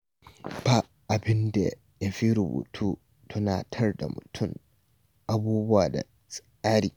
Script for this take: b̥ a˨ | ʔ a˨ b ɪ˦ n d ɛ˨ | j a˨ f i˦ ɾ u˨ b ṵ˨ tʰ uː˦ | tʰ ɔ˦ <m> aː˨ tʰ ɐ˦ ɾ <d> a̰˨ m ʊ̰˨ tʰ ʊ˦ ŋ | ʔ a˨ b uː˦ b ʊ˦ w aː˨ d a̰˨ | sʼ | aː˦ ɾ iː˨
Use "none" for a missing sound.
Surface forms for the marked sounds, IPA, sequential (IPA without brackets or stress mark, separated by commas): n, d